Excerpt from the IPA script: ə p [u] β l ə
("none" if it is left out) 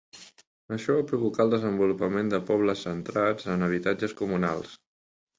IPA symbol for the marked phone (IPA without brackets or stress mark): ɔ